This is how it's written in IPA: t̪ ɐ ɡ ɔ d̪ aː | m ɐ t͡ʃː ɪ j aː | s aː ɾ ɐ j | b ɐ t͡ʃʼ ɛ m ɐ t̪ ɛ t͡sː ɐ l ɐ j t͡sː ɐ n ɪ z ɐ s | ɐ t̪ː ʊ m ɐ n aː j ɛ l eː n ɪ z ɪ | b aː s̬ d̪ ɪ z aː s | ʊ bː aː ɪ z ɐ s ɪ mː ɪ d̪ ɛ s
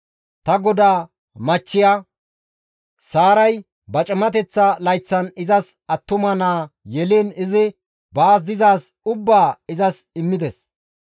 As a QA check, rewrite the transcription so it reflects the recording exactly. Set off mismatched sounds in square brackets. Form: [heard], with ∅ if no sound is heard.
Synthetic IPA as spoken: t̪ ɐ ɡ ɔ d̪ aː | m ɐ t͡ʃː ɪ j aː | s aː ɾ ɐ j | b ɐ t͡ʃʼ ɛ m ɐ t̪ ɛ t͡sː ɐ l ɐ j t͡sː ɐ n ɪ z ɐ s | ɐ t̪ː ʊ m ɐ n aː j ɛ l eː n ɪ z ɪ | b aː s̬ d̪ ɪ z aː s | ʊ bː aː ɪ z ɐ s ɪ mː ɪ d̪ ɛ s